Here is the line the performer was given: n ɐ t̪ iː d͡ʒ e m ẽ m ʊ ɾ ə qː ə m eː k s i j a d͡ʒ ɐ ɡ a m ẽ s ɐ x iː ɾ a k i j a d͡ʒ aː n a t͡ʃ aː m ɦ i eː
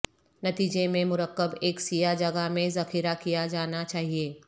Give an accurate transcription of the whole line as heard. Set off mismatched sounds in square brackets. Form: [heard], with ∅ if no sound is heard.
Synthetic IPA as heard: n ɐ t̪ iː d͡ʒ e m ẽ m ʊ ɾ ə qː ə [b] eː k s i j a d͡ʒ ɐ ɡ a m ẽ [z] ɐ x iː ɾ a k i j a d͡ʒ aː n a t͡ʃ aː [∅] ɦ i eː